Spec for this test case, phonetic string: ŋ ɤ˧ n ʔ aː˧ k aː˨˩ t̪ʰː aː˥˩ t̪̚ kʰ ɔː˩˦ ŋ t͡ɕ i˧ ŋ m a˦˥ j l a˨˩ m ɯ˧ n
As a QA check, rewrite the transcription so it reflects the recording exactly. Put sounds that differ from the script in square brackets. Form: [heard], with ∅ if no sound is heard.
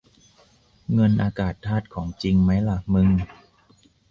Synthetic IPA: ŋ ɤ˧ n ʔ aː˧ k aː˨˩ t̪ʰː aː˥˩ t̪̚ kʰ ɔː˩˦ ŋ t͡ɕ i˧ ŋ m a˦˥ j l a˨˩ m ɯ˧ [ŋ]